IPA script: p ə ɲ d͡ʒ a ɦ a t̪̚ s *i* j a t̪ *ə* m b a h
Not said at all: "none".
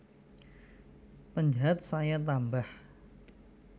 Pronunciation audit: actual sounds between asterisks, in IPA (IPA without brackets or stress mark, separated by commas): a, a